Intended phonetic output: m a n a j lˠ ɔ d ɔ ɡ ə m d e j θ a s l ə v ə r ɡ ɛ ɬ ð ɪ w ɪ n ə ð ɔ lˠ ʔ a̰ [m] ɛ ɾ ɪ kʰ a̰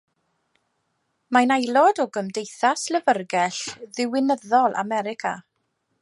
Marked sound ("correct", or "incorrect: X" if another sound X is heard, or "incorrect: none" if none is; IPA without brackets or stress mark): correct